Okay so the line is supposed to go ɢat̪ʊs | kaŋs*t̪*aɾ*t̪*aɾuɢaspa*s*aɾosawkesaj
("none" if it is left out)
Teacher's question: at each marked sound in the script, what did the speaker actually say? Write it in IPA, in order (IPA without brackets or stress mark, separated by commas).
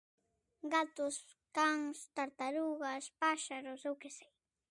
t̪, t̪, ʃ